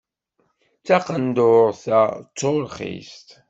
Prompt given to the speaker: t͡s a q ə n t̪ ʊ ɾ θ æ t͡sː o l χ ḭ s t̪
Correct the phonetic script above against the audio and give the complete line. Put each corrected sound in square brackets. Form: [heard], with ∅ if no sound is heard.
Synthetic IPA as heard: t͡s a q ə n [d̪] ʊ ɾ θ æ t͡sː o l χ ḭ s t̪